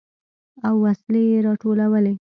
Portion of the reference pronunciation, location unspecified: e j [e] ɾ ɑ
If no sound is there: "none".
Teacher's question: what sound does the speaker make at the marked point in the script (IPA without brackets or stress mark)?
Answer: e